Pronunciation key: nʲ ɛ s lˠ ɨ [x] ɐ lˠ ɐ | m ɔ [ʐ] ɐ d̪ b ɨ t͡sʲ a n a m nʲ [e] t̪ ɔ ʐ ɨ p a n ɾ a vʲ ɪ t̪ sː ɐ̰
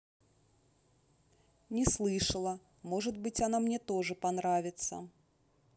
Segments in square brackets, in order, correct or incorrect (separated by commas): incorrect, correct, incorrect